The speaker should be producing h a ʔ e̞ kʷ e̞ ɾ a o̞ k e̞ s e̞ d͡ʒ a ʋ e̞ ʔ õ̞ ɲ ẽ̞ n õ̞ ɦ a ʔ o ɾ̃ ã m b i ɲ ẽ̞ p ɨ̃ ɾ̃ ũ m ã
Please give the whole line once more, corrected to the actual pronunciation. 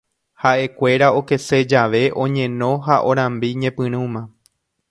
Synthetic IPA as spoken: h a ʔ e̞ kʷ e̞ ɾ a o̞ k e̞ s e̞ d͡ʒ a ʋ e̞ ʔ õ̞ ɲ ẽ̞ n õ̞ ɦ a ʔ o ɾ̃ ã m b i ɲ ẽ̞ p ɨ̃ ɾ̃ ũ m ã